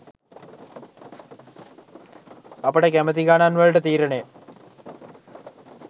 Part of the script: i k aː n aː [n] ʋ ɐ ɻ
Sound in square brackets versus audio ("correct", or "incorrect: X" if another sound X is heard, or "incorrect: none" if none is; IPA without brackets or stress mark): correct